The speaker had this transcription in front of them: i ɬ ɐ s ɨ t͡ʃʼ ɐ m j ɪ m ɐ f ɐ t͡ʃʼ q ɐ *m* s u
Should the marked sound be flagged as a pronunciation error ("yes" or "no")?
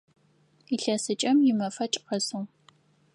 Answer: yes